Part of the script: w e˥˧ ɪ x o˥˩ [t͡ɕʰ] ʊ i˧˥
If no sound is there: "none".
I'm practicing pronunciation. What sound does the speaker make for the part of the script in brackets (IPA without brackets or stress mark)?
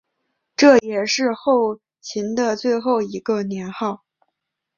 none